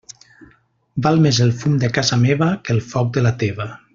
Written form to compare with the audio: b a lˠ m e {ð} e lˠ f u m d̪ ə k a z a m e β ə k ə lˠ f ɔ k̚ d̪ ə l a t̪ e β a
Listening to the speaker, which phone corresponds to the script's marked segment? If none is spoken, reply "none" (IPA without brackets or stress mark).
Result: z